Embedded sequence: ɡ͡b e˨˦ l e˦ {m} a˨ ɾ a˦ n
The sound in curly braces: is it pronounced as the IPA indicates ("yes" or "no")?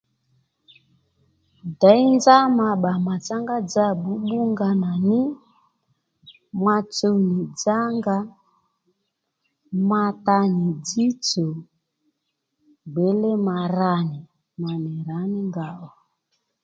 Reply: yes